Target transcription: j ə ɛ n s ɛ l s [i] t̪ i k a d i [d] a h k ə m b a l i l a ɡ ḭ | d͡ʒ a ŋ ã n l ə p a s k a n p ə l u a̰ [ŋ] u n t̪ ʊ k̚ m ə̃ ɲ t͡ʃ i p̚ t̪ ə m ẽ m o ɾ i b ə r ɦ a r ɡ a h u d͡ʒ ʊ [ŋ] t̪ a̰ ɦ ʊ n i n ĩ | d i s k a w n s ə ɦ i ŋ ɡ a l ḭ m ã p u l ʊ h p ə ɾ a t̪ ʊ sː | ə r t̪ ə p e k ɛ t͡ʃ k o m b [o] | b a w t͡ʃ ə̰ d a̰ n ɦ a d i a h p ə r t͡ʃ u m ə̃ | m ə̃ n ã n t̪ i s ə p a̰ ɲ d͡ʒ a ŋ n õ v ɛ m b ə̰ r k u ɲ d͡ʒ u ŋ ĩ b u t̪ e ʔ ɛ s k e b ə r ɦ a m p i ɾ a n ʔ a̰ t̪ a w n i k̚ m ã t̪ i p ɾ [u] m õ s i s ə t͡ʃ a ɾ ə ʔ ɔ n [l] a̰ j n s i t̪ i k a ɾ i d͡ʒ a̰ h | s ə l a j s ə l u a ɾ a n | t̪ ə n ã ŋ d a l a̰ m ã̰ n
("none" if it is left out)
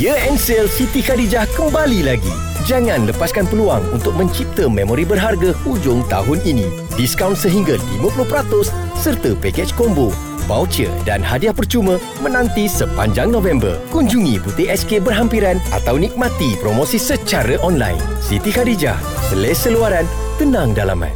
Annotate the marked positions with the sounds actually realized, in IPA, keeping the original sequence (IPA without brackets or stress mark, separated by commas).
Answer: i, d͡ʒ, ŋ, ŋ, o, o, l